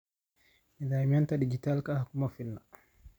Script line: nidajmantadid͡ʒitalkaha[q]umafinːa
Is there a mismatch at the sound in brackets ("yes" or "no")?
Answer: yes